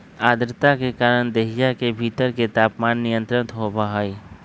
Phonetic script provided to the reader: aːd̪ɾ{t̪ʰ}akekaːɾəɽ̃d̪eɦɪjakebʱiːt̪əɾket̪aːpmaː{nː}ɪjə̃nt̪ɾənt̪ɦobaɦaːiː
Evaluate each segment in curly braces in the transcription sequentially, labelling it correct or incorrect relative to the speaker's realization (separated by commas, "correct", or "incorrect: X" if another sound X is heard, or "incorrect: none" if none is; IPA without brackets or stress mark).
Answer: incorrect: t̪, correct